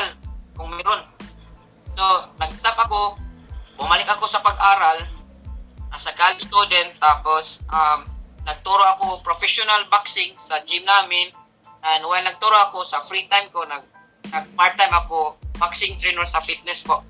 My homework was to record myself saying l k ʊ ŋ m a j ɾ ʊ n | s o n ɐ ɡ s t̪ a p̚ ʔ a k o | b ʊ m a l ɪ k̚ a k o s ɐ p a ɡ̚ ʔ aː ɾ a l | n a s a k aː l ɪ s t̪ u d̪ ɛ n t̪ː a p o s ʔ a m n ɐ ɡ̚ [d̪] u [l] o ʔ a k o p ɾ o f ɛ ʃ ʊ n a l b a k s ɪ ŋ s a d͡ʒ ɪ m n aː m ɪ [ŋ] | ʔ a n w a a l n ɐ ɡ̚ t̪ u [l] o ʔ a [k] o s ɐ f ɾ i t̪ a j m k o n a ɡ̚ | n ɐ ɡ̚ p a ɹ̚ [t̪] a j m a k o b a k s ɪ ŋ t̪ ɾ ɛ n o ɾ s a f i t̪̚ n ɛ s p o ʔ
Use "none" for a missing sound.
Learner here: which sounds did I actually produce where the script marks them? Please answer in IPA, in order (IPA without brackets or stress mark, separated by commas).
t̪, ɾ, n, ɾ, k, t̪